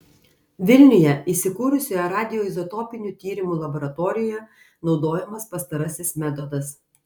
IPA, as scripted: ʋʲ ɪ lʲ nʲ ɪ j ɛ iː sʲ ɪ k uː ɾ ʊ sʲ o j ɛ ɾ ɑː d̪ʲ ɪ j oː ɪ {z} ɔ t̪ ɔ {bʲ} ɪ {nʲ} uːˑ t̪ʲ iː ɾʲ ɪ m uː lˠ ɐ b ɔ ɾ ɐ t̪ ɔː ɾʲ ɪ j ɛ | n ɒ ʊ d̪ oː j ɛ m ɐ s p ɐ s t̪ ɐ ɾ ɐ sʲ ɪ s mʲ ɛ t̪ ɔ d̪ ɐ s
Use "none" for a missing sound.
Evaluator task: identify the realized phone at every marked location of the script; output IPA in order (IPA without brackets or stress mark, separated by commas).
z, pʲ, nʲ